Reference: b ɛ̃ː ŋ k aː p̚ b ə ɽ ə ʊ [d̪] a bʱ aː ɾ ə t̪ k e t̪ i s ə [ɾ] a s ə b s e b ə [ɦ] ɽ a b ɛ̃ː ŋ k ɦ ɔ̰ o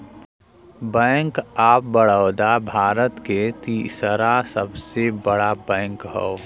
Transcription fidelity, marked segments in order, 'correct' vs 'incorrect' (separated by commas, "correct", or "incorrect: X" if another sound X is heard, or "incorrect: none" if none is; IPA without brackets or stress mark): correct, correct, incorrect: none